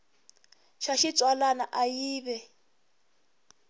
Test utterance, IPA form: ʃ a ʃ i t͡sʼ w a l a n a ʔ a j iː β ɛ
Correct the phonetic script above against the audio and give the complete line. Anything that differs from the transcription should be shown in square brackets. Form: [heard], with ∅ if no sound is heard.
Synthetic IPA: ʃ a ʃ i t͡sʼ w a l a n a ʔ a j iː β ɛ